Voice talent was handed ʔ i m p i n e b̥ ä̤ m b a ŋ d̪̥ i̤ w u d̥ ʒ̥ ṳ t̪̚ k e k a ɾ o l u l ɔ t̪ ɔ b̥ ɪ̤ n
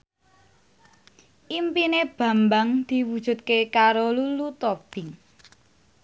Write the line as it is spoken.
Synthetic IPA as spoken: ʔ i m p i n e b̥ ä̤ m b a ŋ d̪̥ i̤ w u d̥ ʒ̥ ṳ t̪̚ k e k a ɾ o l u l u t̪ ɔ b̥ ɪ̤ ŋ